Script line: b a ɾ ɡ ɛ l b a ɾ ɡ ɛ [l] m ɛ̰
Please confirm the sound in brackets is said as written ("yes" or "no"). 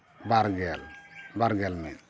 yes